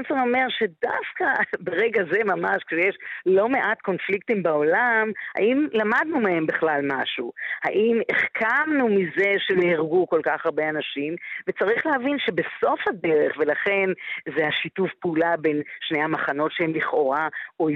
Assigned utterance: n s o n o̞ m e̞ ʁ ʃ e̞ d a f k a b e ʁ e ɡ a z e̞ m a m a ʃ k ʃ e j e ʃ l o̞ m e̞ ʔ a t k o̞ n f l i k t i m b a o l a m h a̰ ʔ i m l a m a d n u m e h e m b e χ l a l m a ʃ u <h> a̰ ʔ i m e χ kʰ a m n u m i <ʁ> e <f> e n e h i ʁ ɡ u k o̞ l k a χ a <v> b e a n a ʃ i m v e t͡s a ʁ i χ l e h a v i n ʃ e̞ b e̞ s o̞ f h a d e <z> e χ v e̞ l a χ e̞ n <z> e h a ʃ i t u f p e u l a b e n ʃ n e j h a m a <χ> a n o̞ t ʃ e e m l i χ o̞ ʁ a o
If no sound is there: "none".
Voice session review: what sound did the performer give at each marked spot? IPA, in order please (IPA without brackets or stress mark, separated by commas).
h, z, ʃ, ʁ, ʁ, z, χ